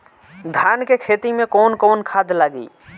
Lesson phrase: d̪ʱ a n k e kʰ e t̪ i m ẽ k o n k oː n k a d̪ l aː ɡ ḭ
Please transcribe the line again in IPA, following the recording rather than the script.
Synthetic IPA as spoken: d̪ʱ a n k e kʰ e t̪ i m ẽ k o n k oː n kʰ a d̪ l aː ɡ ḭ